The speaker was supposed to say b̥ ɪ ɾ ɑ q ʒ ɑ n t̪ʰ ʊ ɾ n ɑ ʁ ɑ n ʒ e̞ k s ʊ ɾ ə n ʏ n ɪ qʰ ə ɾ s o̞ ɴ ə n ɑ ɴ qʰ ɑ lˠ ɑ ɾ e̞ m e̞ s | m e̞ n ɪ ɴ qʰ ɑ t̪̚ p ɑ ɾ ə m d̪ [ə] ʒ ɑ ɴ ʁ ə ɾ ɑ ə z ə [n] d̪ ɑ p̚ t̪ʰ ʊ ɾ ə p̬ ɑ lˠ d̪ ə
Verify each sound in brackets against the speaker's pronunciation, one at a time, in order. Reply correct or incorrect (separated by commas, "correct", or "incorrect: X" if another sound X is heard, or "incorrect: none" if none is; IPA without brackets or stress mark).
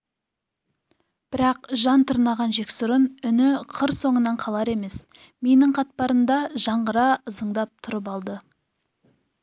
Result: incorrect: ɑ, incorrect: ɴ